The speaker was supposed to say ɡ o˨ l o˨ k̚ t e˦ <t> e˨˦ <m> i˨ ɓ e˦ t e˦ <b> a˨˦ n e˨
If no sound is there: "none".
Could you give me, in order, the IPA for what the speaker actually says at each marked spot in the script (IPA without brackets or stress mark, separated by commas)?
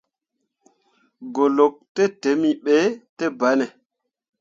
t, m, b